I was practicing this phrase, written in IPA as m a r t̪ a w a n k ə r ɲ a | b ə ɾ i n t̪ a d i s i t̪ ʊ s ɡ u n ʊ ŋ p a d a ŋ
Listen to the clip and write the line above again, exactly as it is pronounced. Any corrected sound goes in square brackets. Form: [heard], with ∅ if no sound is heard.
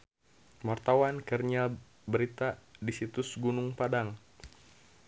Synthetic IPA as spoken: m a r t̪ a w a n k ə r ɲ a | b ə ɾ i [∅] t̪ a d i s i t̪ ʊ s ɡ u n ʊ ŋ p a d a ŋ